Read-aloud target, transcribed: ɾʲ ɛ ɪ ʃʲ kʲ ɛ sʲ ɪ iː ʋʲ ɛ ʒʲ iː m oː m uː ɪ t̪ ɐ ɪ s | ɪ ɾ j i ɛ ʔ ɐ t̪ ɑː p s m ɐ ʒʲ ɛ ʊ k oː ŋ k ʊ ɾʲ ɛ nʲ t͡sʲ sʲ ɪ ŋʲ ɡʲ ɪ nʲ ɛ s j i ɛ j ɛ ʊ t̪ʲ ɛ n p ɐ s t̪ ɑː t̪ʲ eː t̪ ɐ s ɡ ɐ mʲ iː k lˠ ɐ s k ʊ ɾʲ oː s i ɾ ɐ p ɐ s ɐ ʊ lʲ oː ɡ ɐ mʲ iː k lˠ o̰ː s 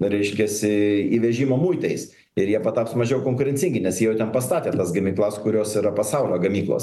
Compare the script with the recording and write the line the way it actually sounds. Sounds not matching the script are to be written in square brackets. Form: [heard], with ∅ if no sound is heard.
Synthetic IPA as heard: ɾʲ ɛ ɪ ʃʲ kʲ ɛ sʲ ɪ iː ʋʲ ɛ ʒʲ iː m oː m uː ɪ t̪ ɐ ɪ s | ɪ ɾ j i ɛ [p] ɐ t̪ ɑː p s m ɐ ʒʲ ɛ ʊ k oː ŋ k ʊ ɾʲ ɛ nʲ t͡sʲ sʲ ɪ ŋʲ ɡʲ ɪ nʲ ɛ s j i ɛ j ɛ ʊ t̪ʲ ɛ n p ɐ s t̪ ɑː t̪ʲ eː t̪ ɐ s ɡ ɐ mʲ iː k lˠ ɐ s k ʊ ɾʲ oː s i ɾ ɐ p ɐ s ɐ ʊ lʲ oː ɡ ɐ mʲ iː k lˠ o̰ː s